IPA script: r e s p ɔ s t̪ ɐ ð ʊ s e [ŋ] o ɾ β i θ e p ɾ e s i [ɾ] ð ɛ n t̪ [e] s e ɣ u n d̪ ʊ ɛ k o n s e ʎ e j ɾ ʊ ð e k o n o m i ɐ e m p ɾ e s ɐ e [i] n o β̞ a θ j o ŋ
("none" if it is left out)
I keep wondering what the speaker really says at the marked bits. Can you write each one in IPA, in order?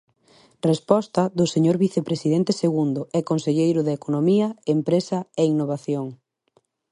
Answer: ɲ, none, e, i

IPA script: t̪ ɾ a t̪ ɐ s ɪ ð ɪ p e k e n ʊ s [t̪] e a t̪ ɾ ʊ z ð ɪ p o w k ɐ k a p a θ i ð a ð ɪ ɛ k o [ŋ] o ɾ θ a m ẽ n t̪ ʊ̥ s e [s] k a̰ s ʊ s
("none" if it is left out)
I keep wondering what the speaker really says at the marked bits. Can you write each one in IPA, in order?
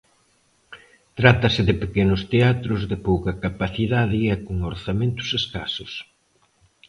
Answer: t̪, ŋ, s

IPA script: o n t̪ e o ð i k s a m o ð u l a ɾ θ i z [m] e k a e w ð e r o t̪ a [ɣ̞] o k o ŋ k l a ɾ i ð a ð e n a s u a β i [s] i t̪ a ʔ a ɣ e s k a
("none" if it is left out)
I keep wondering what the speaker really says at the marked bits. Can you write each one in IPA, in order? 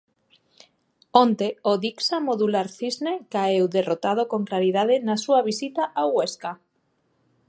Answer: n, ð̞, s

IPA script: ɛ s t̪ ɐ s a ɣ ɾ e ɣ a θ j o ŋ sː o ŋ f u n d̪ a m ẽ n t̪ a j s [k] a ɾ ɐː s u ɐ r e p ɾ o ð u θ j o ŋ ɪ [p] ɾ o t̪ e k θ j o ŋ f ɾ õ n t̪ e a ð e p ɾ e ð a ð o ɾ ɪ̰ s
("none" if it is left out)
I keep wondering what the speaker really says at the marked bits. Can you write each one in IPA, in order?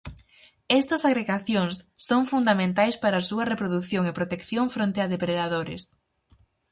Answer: p, p

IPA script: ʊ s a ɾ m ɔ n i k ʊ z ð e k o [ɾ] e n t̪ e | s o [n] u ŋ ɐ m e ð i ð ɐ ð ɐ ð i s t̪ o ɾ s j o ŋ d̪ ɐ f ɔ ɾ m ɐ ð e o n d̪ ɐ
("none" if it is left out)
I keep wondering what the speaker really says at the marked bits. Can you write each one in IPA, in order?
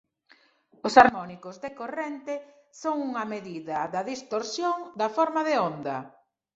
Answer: r, ŋ

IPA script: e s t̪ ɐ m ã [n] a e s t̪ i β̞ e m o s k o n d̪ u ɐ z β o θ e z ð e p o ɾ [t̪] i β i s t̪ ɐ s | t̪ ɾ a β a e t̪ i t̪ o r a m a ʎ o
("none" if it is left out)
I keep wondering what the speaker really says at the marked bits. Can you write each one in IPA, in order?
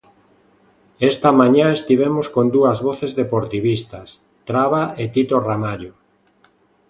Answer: ɲ, t̪

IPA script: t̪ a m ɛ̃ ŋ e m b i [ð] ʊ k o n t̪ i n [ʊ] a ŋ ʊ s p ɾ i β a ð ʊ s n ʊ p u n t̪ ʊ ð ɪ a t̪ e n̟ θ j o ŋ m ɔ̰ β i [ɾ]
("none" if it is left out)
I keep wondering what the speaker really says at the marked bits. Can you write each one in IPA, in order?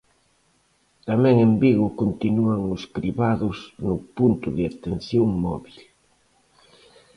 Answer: ɣ, u, l

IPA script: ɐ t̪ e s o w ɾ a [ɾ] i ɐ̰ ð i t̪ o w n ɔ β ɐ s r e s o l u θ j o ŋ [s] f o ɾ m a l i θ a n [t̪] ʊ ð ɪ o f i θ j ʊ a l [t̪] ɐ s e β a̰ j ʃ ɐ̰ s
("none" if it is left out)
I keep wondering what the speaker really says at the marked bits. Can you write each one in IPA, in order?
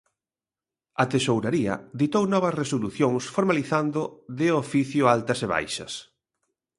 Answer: ɾ, s, d̪, t̪

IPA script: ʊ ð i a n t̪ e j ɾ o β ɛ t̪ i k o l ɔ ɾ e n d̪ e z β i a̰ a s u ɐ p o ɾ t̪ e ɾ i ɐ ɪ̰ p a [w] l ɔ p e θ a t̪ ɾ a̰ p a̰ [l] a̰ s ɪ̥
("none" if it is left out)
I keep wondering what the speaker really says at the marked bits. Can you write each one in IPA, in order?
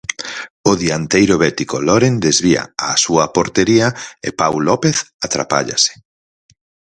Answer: w, ʎ

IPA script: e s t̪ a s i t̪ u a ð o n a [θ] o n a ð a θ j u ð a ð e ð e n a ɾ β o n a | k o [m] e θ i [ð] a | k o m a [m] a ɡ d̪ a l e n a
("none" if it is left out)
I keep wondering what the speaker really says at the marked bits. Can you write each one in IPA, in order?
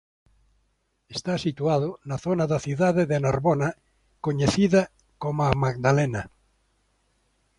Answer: θ, ɲ, ð, m

